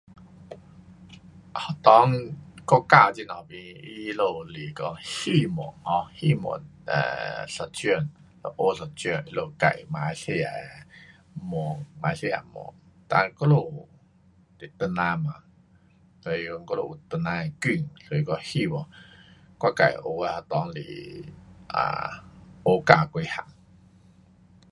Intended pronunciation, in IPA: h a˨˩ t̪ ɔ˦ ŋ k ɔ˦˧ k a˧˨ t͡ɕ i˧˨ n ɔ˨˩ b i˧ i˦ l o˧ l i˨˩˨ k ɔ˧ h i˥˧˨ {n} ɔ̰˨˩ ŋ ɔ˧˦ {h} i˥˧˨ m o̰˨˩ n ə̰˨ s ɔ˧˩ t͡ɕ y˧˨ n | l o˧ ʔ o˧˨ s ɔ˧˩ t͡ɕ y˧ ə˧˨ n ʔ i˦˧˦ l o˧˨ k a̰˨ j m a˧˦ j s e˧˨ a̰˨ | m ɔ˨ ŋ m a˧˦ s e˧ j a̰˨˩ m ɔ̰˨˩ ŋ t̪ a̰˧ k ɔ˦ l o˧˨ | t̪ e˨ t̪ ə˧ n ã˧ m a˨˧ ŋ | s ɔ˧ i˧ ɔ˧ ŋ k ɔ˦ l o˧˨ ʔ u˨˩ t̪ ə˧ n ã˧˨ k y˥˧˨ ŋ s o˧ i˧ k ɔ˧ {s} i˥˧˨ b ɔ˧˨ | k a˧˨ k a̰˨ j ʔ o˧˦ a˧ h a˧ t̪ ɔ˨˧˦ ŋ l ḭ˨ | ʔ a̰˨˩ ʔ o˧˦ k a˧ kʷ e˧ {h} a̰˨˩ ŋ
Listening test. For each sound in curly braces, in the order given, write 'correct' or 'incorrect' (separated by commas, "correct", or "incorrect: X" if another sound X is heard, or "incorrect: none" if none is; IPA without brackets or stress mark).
incorrect: m, correct, incorrect: h, correct